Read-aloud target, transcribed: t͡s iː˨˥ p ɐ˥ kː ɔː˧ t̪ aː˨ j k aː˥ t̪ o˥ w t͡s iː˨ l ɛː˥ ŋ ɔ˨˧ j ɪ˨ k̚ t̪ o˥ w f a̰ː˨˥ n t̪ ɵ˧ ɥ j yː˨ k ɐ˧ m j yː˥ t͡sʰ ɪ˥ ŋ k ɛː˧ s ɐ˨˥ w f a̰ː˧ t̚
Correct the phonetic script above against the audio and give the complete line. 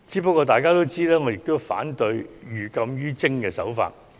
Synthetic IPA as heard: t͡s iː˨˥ p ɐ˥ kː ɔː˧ t̪ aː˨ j k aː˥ t̪ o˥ w t͡s iː˥ l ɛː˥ ŋ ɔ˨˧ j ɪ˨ k̚ t̪ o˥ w f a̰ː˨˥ n t̪ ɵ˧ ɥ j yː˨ k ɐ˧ m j yː˥ t͡s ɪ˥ ŋ k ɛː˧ s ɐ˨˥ w f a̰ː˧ t̚